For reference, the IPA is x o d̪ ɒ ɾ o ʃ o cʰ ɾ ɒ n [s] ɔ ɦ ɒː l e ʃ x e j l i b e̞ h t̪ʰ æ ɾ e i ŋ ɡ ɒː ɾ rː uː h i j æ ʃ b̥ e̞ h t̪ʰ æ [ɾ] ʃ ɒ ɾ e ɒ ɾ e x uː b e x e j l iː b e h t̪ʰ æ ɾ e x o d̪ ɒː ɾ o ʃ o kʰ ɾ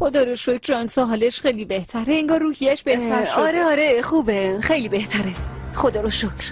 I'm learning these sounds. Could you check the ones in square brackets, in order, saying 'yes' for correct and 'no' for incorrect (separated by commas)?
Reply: yes, yes